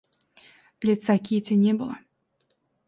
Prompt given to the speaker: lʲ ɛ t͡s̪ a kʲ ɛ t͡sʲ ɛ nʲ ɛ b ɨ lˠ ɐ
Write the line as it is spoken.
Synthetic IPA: lʲ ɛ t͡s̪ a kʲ i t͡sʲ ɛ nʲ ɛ b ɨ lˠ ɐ